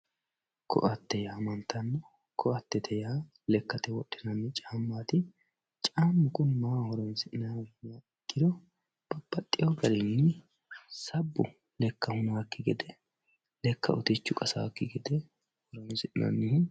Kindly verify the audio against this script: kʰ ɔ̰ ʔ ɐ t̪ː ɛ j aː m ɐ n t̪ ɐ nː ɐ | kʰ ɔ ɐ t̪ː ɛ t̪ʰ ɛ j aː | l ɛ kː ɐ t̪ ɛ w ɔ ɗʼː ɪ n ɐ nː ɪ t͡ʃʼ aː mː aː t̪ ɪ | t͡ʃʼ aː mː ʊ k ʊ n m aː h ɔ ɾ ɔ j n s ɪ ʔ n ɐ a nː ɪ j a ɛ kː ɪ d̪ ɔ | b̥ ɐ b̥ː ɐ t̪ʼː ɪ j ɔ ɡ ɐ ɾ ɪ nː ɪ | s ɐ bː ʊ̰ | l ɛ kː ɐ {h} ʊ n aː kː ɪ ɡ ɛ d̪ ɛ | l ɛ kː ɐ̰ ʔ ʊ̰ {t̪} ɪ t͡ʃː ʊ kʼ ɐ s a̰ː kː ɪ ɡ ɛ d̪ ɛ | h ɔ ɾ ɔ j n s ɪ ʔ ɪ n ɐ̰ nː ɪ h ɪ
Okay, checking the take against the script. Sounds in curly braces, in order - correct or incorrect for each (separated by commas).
correct, correct